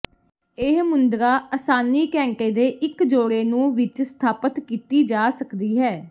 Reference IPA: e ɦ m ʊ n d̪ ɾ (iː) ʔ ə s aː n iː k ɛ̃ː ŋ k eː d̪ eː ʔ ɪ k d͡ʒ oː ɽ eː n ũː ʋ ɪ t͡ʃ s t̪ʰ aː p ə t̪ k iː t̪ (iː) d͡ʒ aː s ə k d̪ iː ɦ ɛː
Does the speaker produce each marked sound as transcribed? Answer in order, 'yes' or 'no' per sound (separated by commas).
no, yes